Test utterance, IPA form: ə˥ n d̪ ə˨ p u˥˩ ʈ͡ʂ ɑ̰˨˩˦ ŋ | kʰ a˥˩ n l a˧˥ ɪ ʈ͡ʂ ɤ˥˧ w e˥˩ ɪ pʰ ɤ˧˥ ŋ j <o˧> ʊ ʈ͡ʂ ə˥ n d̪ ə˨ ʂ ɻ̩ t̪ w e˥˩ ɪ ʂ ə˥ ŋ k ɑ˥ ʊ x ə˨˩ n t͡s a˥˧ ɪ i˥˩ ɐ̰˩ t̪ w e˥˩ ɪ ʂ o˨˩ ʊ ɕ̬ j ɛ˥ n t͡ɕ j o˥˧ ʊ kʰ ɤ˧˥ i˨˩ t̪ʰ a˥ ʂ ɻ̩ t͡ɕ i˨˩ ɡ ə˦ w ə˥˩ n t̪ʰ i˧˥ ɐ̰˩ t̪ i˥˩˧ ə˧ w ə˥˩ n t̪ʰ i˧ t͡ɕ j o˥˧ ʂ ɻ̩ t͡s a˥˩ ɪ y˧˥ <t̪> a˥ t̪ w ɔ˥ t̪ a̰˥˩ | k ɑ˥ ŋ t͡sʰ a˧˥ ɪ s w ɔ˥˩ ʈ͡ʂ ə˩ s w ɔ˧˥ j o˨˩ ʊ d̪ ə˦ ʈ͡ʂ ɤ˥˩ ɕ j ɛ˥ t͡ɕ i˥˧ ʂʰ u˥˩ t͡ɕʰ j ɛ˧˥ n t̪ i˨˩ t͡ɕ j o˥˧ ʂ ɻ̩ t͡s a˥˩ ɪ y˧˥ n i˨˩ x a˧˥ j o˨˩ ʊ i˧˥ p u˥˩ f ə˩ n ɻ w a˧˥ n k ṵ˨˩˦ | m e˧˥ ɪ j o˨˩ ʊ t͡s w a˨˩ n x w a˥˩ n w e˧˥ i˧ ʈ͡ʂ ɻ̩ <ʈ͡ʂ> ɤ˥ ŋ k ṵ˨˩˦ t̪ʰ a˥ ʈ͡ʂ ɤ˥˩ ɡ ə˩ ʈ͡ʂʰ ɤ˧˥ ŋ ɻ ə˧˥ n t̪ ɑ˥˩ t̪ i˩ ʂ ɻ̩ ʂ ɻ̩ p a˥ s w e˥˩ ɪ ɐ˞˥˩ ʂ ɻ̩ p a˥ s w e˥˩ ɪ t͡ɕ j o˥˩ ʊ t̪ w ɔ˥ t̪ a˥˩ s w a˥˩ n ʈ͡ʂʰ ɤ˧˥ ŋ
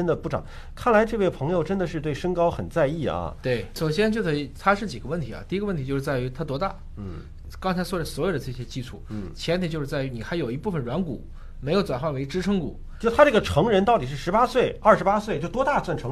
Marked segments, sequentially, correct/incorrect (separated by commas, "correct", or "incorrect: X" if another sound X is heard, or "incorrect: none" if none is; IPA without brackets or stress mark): correct, incorrect: t̪ʰ, incorrect: ʈ͡ʂʰ